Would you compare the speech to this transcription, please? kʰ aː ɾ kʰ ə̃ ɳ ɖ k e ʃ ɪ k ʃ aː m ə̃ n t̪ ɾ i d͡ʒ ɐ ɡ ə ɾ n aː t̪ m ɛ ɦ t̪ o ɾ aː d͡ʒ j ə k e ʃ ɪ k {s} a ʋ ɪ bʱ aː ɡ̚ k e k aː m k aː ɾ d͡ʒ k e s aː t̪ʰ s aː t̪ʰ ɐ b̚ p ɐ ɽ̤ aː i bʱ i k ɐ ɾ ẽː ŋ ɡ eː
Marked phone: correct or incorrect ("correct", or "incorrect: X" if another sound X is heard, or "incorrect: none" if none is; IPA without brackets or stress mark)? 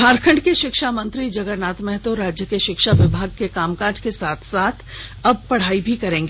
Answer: incorrect: ʃ